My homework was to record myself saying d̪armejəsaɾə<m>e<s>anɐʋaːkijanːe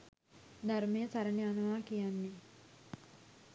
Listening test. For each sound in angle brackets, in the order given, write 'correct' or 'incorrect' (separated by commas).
incorrect, incorrect